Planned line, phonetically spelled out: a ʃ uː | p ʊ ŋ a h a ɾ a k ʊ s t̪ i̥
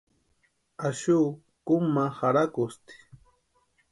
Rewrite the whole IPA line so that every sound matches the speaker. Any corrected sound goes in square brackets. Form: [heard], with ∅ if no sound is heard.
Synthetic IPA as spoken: a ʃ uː | [k] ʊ [m] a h a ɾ a k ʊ s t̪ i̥